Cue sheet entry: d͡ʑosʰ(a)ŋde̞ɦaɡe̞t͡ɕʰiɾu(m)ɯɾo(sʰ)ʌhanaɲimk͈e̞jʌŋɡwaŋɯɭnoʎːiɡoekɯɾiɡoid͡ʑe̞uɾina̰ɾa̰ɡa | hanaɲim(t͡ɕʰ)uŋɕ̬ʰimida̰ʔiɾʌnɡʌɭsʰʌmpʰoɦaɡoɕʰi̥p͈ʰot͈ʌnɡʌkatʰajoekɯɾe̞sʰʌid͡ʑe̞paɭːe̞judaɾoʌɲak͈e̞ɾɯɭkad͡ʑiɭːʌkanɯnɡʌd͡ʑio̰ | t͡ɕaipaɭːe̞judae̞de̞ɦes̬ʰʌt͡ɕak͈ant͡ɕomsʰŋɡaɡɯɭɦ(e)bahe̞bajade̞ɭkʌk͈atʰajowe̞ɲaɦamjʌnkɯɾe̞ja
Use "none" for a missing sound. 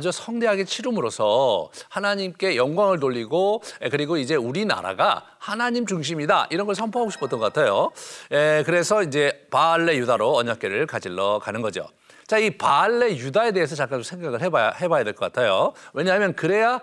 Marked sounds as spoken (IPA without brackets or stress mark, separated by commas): ʌ, m, sʰ, t͡ɕ, e